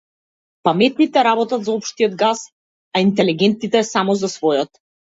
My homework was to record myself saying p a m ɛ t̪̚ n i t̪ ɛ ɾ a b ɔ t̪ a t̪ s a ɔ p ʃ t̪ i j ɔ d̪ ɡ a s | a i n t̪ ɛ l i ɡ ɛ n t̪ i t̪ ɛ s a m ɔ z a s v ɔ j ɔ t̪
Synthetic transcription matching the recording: p a m ɛ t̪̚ n i t̪ ɛ ɾ a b ɔ t̪ a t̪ z a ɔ p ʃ t̪ i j ɔ d̪ ɡ a s | a i n t̪ ɛ l i ɡ ɛ n t̪ i t̪ ɛ s a m ɔ z a s v ɔ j ɔ t̪